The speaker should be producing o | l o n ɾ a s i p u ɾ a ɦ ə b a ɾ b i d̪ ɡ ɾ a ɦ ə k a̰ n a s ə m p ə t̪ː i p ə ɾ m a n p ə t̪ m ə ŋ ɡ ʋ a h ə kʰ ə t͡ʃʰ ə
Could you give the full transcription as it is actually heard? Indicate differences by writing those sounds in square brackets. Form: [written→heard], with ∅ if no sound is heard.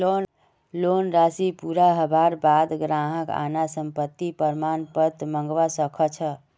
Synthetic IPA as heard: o | l o n ɾ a s i p u ɾ a ɦ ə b a ɾ b [i→a] d̪ ɡ ɾ a ɦ ə k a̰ n a s ə m p ə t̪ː i p ə ɾ m a n p ə t̪ m ə ŋ ɡ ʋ a [h→s] ə kʰ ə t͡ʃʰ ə

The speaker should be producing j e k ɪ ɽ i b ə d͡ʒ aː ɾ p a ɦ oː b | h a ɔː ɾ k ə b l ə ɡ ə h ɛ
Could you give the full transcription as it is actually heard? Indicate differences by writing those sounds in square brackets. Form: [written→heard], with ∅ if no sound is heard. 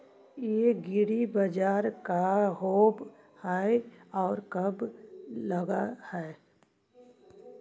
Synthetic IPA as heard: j e [k→ɡ] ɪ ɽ i b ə d͡ʒ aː ɾ [p→k] a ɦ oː b | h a ɔː ɾ k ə b l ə ɡ [ə→a] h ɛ

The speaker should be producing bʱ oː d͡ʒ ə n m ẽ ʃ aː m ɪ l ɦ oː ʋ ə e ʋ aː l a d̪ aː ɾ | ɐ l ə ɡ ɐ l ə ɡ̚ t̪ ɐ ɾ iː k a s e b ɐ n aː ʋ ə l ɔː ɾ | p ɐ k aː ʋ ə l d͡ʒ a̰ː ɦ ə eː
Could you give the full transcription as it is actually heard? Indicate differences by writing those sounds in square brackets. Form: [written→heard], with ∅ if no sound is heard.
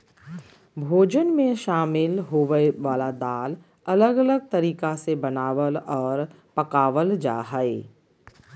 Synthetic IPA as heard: bʱ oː d͡ʒ ə n m ẽ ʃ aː m ɪ l ɦ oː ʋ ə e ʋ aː l a d̪ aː [ɾ→l] | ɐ l ə ɡ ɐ l ə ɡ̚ t̪ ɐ ɾ iː k a s e b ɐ n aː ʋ ə l ɔː ɾ | p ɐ k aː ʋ ə l d͡ʒ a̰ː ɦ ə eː

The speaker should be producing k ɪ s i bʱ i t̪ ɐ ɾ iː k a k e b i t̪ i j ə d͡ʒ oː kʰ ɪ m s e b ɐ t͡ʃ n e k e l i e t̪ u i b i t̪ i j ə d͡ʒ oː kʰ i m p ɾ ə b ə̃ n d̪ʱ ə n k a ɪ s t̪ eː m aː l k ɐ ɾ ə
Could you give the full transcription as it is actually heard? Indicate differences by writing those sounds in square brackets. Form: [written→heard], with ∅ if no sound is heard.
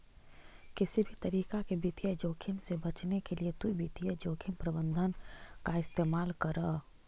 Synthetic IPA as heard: k ɪ s i bʱ i t̪ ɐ ɾ iː k a k e b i t̪ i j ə d͡ʒ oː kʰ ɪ m s e b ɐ t͡ʃ n e k e l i e t̪ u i b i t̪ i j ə d͡ʒ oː kʰ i m p ɾ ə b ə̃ n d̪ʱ ə n k a ɪ s t̪ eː m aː l k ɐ ɾ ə

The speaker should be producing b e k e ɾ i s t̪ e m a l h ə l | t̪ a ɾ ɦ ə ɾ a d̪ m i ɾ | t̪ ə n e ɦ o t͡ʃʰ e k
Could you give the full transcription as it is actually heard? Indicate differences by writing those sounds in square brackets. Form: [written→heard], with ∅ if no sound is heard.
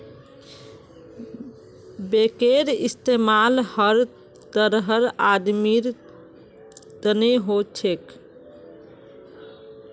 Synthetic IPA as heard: b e k e ɾ i s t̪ e m a l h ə [l→ɾ] | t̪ [a→ə] ɾ ɦ ə ɾ a d̪ m i ɾ | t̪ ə n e ɦ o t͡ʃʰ e k

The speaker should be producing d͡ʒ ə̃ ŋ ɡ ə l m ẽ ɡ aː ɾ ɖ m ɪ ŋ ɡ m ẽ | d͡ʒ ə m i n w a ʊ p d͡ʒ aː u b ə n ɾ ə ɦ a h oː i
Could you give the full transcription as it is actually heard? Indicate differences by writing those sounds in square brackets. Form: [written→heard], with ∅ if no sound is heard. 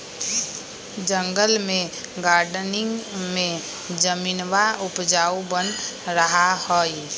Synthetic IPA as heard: d͡ʒ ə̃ ŋ ɡ ə l m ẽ ɡ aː ɾ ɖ [m→n] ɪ ŋ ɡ m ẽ | d͡ʒ ə m i n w a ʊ p d͡ʒ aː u b ə n ɾ ə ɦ a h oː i

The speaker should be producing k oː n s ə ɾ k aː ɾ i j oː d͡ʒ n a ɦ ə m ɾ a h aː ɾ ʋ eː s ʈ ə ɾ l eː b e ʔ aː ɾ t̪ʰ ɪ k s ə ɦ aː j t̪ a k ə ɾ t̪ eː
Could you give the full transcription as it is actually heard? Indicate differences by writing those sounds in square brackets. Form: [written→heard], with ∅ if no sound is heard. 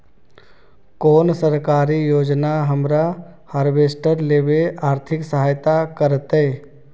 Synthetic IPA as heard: k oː n s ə ɾ k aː ɾ i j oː d͡ʒ n a ɦ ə m ɾ a h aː ɾ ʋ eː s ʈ ə ɾ l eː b e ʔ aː ɾ t̪ʰ ɪ k s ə ɦ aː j t̪ a k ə ɾ t̪ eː

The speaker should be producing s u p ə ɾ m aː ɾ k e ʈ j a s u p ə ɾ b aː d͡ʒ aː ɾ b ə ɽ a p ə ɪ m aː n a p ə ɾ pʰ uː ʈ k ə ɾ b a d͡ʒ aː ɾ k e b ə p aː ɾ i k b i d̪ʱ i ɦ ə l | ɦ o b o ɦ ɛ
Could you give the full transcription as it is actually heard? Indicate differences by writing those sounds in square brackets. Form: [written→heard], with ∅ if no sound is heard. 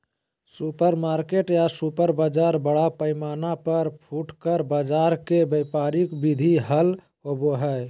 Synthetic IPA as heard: s u p ə ɾ m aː ɾ k e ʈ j a s u p ə ɾ b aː d͡ʒ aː ɾ b ə ɽ a p ə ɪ m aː n a p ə ɾ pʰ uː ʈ k ə ɾ b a d͡ʒ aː ɾ k e b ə p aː ɾ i k b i d̪ʱ i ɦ ə l | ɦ o b o ɦ ɛ

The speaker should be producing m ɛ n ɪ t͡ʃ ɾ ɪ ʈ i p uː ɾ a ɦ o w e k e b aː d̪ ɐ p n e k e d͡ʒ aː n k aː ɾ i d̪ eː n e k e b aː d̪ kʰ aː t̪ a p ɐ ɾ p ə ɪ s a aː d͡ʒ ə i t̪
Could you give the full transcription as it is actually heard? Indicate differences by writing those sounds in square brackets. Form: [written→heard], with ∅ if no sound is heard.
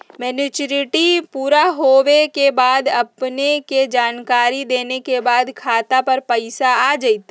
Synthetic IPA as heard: m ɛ n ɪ t͡ʃ ɾ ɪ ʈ i p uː ɾ a ɦ o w e k e b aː d̪ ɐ p n e k e d͡ʒ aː n k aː ɾ i d̪ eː n e k e b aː d̪ kʰ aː t̪ a p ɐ ɾ p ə ɪ s a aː d͡ʒ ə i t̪

